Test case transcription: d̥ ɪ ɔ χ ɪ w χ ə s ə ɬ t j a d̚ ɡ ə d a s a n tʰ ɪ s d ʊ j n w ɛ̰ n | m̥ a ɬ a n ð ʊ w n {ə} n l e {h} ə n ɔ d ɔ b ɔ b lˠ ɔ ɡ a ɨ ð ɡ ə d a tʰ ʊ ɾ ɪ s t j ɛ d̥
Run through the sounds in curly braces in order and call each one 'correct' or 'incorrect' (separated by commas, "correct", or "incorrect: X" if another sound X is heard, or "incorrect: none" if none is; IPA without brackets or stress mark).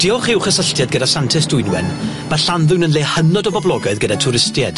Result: correct, correct